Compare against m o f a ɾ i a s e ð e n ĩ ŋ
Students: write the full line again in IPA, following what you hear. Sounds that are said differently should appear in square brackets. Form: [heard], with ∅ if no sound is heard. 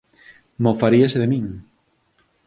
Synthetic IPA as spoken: m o f a ɾ i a s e ð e [m] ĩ ŋ

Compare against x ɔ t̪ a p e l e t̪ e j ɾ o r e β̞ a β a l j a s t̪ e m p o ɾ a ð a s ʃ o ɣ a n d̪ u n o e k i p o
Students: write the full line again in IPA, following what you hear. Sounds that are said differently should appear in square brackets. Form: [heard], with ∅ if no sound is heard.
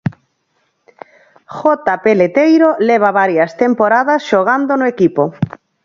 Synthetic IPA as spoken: x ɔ t̪ a p e l e t̪ e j ɾ o [l] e β̞ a β a [ɾ] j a s t̪ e m p o ɾ a ð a s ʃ o ɣ a n d̪ [o] n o e k i p o

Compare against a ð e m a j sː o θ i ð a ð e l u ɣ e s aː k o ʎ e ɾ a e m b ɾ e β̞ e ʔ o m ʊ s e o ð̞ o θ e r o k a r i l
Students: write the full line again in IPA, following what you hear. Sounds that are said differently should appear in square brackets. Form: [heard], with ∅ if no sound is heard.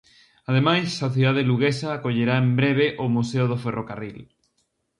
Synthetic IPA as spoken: a ð e m a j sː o θ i ð a ð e l u ɣ e s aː k o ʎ e ɾ a e m b ɾ e β̞ e ʔ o m [u] s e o ð̞ o [f] e r o k a r i l

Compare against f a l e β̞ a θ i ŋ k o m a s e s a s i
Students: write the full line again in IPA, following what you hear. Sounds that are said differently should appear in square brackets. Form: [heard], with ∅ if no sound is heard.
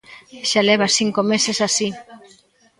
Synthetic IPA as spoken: [ʃ] a l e β̞ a [s] i ŋ k o m [e] s e s a s i

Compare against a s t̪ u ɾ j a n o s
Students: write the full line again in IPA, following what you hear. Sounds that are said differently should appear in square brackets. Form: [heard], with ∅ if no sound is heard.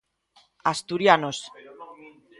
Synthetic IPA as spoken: a s t̪ u ɾ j a n o s

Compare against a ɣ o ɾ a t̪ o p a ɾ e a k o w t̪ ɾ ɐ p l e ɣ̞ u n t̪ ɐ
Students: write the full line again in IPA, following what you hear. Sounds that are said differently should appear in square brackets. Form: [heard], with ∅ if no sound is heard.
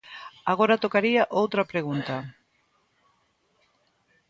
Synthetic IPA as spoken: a ɣ o ɾ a t̪ o [k] a ɾ [i] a [ʔ] o w t̪ ɾ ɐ p [ɾ] e ɣ̞ u n t̪ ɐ

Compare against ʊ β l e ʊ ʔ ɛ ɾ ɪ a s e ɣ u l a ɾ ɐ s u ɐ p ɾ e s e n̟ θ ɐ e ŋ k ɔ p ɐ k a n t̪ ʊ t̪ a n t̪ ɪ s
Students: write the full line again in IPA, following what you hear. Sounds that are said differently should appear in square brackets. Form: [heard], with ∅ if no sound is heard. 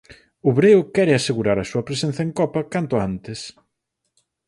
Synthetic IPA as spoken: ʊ β [ɾ] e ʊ [k] ɛ ɾ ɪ a s e ɣ u [ɾ] a ɾ ɐ s u ɐ p ɾ e s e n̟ θ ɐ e ŋ k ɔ p ɐ k a n t̪ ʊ [∅] a n t̪ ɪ s

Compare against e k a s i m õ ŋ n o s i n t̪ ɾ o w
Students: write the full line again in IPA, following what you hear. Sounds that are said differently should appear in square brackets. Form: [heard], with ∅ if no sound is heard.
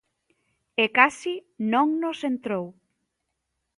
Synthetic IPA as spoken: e k a s i [n] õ ŋ n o s [e] n t̪ ɾ o w

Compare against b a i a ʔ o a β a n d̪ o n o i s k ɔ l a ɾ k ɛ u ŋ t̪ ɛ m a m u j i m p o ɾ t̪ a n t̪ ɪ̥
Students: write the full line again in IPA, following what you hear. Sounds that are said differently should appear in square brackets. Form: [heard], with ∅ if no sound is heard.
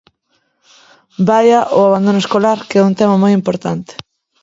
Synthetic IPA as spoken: b a [j] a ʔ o a β a n d̪ o n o [e] s k [o] l a ɾ k ɛ u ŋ t̪ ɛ m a m [o] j i m p o ɾ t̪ a n t̪ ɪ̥

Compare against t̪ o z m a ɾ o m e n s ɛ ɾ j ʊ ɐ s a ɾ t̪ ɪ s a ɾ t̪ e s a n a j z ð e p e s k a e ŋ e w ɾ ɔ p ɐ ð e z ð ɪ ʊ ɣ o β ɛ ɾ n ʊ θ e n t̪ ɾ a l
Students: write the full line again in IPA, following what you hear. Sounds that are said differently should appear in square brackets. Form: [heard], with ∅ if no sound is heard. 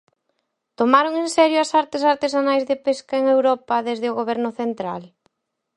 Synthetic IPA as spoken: t̪ o [∅] m a ɾ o [ŋ] e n s ɛ ɾ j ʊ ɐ s a ɾ t̪ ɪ s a ɾ t̪ e s a n a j z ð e p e s k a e ŋ e w ɾ ɔ p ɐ ð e z ð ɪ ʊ ɣ o β ɛ ɾ n ʊ θ e n t̪ ɾ a l

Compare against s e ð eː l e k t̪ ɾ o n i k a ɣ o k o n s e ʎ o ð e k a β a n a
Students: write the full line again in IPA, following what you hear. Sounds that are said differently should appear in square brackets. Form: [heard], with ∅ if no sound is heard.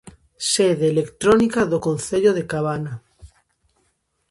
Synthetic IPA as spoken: s e ð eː l e k t̪ ɾ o n i k a [ð] o k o n [θ] e ʎ o ð e k a β a n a

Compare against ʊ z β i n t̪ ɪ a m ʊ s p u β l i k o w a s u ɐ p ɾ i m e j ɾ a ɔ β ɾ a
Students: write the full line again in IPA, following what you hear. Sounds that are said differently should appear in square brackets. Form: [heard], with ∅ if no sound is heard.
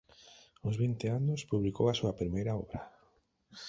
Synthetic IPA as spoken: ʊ z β i n t̪ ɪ a [n] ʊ s p u β l i k o w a s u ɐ p ɾ i m e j ɾ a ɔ β ɾ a

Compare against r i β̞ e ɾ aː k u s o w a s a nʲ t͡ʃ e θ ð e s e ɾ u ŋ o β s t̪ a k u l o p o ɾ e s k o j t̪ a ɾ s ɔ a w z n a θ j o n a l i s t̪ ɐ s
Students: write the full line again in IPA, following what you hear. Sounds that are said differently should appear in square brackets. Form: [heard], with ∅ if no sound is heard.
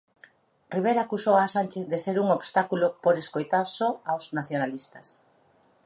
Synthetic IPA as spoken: r i β̞ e ɾ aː k u s o w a s a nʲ t͡ʃ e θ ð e s e ɾ u ŋ o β s t̪ a k u l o p o ɾ e s k o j t̪ a ɾ s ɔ a w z n a θ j o n a l i s t̪ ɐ s

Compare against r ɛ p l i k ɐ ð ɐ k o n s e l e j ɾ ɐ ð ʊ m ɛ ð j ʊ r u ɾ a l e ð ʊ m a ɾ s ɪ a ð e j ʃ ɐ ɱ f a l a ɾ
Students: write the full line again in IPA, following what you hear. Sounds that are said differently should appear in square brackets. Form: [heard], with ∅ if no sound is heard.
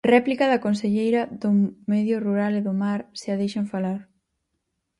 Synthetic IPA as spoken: r ɛ p l i k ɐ ð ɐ k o n s e [ʎ] e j ɾ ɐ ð ʊ m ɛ ð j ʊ r u ɾ a l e ð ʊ m a ɾ s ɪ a ð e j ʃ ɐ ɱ f a l a ɾ

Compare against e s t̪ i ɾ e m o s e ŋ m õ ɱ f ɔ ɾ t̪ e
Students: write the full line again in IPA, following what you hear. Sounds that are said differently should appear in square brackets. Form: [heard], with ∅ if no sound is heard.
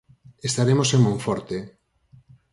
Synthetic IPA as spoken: e s t̪ [a] ɾ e m o s e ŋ m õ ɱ f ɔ ɾ t̪ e

